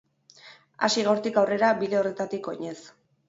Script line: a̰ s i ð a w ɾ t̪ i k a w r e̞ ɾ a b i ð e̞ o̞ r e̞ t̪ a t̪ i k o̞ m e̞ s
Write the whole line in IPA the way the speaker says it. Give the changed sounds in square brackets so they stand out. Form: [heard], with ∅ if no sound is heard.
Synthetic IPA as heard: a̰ s i [ɣ] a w ɾ t̪ i k a w r e̞ ɾ a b i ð e̞ o̞ r e̞ t̪ a t̪ i k o̞ [ɲ] e̞ s